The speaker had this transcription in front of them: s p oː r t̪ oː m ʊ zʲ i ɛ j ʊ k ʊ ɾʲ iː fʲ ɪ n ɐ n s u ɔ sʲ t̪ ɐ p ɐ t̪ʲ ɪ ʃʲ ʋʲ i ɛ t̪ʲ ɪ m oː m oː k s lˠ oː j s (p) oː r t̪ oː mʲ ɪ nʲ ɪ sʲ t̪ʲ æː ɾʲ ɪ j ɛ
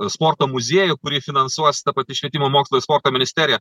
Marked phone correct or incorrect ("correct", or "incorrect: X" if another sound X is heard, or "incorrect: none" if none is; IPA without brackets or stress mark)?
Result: correct